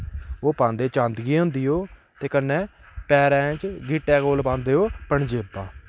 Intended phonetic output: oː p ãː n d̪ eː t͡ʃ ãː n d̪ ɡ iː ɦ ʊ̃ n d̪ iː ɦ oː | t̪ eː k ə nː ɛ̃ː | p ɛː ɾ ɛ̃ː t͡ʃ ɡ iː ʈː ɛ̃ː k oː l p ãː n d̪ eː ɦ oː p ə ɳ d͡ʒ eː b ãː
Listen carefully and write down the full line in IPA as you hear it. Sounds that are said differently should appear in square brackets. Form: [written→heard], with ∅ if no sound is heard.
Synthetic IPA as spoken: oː p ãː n d̪ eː t͡ʃ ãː n d̪ ɡ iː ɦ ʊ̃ n d̪ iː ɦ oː | t̪ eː k ə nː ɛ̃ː | p ɛː ɾ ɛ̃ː t͡ʃ ɡ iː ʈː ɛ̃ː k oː l p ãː n d̪ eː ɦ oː p ə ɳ d͡ʒ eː b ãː